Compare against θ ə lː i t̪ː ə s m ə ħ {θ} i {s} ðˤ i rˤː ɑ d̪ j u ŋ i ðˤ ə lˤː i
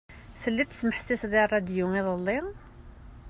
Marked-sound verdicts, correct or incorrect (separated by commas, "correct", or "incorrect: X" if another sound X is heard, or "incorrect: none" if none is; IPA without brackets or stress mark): incorrect: s, correct